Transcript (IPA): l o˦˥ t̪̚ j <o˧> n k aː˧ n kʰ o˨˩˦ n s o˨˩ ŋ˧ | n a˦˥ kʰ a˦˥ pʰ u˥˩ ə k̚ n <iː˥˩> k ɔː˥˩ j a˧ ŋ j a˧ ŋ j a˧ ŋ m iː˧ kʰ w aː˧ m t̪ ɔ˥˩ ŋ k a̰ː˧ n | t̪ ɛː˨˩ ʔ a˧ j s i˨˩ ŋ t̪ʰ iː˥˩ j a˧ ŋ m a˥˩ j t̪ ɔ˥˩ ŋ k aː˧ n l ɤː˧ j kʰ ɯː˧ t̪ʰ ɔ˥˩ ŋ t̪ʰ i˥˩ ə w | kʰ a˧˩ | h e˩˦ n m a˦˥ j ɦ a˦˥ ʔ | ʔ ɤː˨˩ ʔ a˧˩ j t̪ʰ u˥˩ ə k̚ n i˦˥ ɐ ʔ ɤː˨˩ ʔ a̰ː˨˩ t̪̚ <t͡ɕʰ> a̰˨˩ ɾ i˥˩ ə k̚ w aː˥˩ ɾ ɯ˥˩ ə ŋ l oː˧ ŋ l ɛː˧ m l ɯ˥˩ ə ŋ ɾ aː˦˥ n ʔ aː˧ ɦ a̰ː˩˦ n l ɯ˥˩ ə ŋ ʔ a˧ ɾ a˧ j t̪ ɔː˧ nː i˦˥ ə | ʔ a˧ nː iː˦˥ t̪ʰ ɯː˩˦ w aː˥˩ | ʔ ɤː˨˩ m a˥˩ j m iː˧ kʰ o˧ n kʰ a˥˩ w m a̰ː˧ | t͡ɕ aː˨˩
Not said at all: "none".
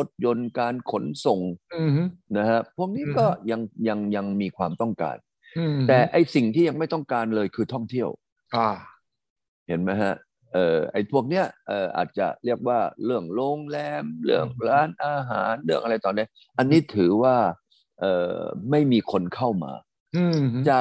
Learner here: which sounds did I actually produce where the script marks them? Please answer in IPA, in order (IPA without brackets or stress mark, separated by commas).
o˧, iː˦˥, t͡ɕ